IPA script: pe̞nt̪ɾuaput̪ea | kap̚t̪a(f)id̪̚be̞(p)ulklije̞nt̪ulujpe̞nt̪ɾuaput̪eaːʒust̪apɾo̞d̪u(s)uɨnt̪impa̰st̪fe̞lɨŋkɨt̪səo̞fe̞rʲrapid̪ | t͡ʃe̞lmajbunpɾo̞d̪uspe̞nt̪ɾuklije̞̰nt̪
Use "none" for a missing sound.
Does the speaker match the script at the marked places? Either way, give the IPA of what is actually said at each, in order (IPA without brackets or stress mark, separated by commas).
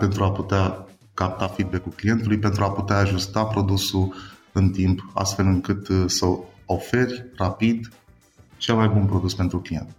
f, k, s